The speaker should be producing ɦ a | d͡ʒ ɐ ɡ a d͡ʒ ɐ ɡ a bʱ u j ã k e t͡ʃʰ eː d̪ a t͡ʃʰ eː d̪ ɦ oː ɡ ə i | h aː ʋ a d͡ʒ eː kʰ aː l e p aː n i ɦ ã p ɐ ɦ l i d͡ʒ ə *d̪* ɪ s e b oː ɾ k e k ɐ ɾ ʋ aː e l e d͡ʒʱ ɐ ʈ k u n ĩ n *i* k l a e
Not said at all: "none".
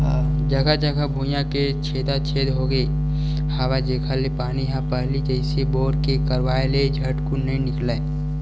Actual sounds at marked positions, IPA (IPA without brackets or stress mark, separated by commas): none, ɪ